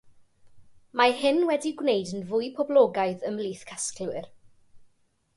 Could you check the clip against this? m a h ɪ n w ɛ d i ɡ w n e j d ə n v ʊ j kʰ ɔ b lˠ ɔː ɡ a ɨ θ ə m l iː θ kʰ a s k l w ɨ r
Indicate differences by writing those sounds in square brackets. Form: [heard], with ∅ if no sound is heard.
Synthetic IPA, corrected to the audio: m a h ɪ n w ɛ d i ɡ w n e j d ə n v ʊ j [pʰ] ɔ b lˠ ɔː ɡ a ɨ [ð] ə m l iː θ kʰ a s k l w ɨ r